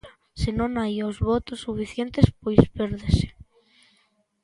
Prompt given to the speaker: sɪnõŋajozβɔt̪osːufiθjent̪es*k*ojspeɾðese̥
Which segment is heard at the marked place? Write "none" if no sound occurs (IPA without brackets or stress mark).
p